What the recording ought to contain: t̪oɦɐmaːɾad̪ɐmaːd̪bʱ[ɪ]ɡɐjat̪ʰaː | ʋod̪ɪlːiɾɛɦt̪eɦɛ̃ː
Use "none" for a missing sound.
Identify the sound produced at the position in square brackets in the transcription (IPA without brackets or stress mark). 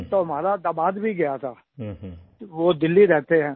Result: i